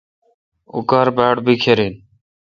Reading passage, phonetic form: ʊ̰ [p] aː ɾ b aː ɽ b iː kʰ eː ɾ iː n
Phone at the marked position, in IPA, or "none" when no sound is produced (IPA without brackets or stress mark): k